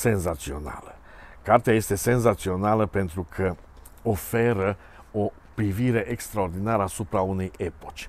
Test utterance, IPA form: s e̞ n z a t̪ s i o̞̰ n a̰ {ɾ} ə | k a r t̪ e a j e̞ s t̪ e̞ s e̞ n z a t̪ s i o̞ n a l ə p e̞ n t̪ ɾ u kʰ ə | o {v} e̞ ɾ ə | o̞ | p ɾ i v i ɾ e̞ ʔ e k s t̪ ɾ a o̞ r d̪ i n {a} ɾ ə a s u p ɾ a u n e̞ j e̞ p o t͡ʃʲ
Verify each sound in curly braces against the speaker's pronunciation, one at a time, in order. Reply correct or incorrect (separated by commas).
incorrect, incorrect, correct